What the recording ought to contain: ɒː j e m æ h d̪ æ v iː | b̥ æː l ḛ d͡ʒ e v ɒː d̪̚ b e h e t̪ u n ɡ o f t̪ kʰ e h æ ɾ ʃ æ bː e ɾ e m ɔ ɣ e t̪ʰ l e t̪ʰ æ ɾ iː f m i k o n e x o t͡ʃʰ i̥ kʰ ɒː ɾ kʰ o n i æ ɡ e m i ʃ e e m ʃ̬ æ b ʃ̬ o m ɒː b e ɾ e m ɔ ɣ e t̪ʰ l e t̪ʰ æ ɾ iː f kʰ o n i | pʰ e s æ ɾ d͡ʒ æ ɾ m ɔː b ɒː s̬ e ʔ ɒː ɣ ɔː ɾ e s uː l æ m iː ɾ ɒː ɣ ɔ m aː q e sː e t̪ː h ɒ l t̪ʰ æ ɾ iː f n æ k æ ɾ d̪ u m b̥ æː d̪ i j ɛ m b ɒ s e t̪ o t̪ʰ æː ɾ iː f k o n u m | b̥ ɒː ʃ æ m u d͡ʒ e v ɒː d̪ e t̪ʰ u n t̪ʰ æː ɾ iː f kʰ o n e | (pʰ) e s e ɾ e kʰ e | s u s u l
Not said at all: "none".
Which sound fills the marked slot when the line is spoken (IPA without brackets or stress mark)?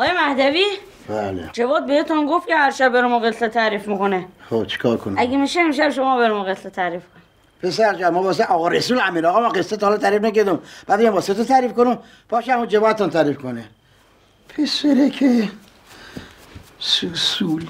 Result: pʰ